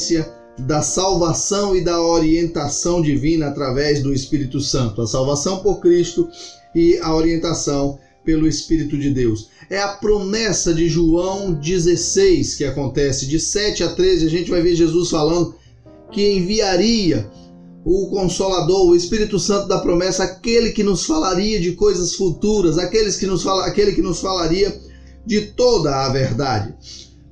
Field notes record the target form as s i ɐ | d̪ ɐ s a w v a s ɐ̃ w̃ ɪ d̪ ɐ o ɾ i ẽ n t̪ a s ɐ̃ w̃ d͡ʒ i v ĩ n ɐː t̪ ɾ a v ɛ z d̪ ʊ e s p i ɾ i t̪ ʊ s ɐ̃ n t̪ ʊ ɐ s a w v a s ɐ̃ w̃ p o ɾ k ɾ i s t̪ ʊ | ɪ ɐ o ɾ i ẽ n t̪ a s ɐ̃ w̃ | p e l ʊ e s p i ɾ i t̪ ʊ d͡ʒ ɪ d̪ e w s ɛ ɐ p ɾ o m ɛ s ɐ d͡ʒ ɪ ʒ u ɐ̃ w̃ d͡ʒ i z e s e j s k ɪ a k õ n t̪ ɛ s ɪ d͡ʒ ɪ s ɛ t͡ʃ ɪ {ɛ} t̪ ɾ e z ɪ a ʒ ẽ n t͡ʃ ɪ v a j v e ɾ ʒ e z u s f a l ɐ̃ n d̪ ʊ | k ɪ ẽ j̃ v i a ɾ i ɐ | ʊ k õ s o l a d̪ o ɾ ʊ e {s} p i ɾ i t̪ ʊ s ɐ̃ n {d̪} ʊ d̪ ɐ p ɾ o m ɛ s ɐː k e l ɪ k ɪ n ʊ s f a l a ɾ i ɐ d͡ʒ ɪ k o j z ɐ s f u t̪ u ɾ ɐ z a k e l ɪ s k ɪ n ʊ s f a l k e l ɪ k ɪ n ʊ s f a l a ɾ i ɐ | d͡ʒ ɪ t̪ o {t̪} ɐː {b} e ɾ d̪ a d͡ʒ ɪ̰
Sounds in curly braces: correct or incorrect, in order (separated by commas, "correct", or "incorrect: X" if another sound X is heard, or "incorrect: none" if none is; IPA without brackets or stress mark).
incorrect: a, correct, incorrect: t̪, incorrect: d̪, incorrect: v